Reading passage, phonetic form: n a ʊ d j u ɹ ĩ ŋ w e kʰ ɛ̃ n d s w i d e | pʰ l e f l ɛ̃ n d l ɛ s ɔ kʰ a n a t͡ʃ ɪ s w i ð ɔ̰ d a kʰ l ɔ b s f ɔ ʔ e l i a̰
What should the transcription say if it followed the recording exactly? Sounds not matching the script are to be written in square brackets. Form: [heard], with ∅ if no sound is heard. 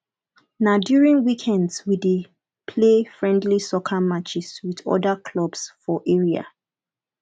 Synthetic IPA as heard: n a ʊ d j u ɹ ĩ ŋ w [i] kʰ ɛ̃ n d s w i d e | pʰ l e f [ɹ] ɛ̃ n d l [i] s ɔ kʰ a [m] a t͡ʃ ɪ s w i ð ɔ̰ d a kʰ l ɔ b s f ɔ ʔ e [ɹ] i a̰